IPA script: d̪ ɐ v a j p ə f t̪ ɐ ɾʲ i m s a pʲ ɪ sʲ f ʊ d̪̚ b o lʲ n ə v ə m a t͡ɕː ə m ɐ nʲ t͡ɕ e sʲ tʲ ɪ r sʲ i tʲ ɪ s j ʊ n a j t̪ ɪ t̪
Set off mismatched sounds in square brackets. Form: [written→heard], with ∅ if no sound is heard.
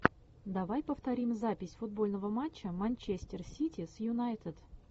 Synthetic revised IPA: d̪ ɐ v a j p ə f t̪ ɐ ɾʲ i m [s→z] a pʲ ɪ sʲ f ʊ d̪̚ b o lʲ n ə v ə m a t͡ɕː ə m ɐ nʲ t͡ɕ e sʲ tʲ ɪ r sʲ i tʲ ɪ s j ʊ n a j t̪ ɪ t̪